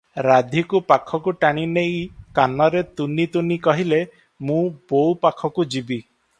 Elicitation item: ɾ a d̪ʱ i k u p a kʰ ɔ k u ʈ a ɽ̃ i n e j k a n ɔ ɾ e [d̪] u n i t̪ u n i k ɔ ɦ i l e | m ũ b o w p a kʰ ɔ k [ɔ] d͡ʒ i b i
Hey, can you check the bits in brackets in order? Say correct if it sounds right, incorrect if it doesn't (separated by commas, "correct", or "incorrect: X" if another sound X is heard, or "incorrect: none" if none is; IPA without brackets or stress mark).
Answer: incorrect: t̪, incorrect: u